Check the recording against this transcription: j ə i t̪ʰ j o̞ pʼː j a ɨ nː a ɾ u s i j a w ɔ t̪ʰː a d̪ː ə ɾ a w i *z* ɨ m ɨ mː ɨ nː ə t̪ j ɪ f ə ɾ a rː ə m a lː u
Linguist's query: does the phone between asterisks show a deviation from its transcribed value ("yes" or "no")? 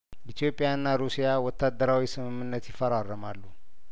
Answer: yes